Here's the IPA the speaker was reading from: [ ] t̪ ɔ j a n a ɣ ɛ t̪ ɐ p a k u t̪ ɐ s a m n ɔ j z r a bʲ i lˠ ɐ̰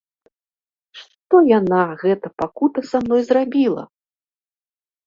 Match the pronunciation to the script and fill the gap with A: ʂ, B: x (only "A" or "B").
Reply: A